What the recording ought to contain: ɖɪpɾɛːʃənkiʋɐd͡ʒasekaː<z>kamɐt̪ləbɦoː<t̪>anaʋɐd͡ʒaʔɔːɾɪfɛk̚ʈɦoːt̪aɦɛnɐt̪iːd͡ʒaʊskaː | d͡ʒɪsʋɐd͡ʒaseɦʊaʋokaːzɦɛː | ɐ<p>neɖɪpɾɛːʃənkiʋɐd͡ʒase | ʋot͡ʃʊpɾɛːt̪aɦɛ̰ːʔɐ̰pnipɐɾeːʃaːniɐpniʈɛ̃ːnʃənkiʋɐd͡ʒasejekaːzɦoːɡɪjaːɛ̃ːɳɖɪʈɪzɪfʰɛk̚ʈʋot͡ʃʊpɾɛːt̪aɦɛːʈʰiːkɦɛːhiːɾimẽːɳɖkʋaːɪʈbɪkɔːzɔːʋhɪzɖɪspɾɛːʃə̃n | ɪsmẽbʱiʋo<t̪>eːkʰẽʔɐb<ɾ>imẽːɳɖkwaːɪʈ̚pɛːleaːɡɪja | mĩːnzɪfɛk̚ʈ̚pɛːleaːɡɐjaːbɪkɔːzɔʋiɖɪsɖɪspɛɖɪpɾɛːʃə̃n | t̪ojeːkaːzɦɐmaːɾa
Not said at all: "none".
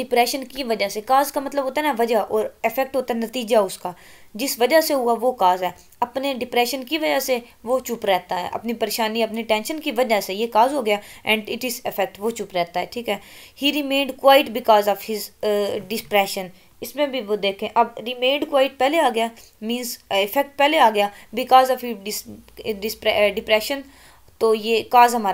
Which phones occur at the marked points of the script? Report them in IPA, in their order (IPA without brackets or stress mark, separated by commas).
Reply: z, t̪, p, d̪, ɾ